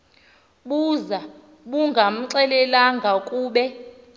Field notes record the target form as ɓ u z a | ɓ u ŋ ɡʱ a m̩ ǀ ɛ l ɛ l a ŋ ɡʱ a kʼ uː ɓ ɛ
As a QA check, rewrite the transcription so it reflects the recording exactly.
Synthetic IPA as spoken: ɓ u z a | ɓ u ŋ ɡʱ a m̩ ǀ ɛ l ɛ l a ŋ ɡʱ a kʼ uː ɓ ɛ